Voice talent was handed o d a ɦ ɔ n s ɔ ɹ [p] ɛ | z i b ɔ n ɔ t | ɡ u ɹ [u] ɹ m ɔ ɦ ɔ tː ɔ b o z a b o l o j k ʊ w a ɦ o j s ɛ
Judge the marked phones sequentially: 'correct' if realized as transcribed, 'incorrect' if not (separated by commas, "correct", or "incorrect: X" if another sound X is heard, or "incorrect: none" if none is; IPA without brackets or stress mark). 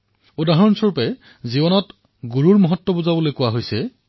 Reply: correct, correct